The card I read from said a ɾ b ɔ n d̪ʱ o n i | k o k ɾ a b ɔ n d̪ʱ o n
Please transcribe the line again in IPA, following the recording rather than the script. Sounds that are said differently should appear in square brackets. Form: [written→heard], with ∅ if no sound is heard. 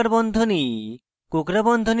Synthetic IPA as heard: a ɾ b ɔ n d̪ʱ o n i | k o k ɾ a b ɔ n d̪ʱ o n